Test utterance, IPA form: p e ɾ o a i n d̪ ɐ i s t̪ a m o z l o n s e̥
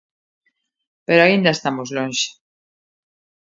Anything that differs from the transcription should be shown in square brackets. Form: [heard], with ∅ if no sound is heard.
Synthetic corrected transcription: p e ɾ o a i n d̪ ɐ [e] s t̪ a m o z l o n [ʃ] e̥